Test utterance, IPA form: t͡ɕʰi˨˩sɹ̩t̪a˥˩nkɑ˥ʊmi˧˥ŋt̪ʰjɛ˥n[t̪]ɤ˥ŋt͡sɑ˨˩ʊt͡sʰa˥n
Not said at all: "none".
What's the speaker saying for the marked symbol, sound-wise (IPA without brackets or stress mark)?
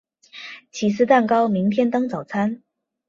t̪